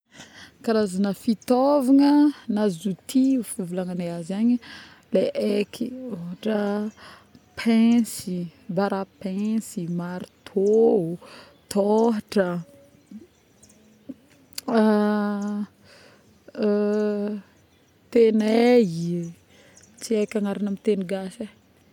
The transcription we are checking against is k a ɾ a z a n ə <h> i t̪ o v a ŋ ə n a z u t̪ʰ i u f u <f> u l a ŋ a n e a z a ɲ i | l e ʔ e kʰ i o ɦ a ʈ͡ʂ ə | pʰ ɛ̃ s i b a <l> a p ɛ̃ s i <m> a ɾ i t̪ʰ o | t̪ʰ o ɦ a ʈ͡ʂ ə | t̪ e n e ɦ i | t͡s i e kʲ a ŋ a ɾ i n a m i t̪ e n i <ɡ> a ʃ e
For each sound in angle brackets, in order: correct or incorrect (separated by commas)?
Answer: incorrect, incorrect, incorrect, correct, correct